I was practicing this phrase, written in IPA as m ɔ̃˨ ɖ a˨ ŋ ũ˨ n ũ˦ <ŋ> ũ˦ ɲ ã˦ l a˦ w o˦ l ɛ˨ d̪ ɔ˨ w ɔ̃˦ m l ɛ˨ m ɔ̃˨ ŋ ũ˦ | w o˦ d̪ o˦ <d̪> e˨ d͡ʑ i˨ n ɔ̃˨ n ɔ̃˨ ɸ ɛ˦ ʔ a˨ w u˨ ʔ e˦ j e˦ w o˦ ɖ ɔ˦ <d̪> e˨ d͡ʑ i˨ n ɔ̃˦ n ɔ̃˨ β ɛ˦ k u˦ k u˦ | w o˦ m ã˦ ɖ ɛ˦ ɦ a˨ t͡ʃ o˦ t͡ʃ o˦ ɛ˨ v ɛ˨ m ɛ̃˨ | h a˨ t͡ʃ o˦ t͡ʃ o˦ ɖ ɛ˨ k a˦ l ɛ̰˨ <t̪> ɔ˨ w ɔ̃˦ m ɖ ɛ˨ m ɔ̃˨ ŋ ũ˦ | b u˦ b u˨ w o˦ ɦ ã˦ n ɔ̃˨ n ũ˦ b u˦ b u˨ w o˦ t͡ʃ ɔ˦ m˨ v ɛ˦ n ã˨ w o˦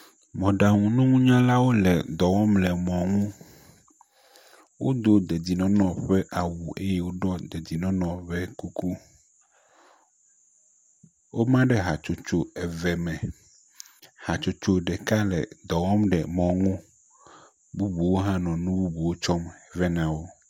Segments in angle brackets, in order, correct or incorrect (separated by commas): correct, correct, correct, incorrect